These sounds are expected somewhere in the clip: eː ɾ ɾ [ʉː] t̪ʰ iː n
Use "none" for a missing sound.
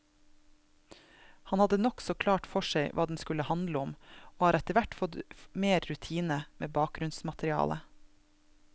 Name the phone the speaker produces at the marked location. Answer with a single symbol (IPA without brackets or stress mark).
ʉ